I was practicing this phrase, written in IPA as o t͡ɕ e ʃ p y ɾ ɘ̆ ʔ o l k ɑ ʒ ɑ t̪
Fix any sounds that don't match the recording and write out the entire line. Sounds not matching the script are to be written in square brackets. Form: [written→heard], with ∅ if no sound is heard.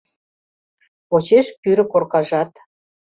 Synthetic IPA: o t͡ɕ e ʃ p y ɾ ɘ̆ [ʔ→k] o [l→r] k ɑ ʒ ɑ t̪

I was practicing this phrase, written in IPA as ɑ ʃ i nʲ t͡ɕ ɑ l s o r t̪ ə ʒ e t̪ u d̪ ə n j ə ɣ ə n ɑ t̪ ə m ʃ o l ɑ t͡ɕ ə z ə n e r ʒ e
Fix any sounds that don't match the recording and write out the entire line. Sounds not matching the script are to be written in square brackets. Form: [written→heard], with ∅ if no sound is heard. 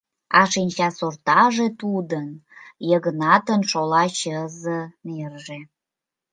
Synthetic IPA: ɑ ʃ i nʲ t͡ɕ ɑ [l→∅] s o r t̪ [ə→ɑ] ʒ e t̪ u d̪ ə n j ə ɣ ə n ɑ t̪ ə [m→n] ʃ o l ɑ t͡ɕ ə z ə n e r ʒ e

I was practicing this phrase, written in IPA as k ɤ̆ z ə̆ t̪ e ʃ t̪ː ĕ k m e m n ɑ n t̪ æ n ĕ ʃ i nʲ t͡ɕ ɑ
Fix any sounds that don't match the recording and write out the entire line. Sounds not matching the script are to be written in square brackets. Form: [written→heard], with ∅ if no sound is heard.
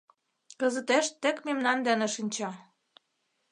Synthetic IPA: k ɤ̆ z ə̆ t̪ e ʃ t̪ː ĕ k m e m n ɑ n [t̪→d̪] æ n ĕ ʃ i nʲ t͡ɕ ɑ

